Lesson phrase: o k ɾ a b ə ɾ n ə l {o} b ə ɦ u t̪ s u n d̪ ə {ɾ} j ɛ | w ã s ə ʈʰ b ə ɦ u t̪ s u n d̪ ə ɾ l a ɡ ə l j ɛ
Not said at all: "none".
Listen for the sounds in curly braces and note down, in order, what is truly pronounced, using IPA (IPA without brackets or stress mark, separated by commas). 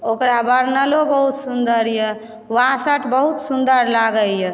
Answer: o, ɾ